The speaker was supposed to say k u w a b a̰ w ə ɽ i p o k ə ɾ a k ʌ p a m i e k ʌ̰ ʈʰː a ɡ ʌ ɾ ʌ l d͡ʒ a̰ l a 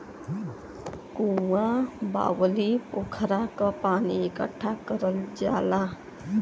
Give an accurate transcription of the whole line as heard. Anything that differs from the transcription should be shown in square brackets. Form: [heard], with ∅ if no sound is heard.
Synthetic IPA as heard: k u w a b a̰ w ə [l] i p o [kʰ] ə ɾ a k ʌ p a [n] i e k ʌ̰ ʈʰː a [k] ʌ ɾ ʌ l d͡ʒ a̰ l a